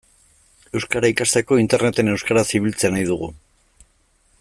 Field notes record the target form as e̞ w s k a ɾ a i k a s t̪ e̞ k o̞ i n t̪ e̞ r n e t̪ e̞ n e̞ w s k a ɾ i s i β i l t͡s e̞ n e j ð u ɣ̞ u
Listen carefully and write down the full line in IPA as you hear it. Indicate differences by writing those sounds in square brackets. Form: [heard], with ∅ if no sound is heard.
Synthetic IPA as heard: e̞ w s k a ɾ a i k a s t̪ e̞ k o̞ i n t̪ e̞ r n e t̪ e̞ n e̞ w s k a ɾ [a] s i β i l t͡s e̞ n [a] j ð u ɣ̞ u